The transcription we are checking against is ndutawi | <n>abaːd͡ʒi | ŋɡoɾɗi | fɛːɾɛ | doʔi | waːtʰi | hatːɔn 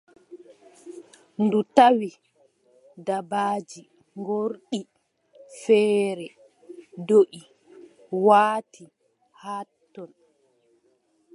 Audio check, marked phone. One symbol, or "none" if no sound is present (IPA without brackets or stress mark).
d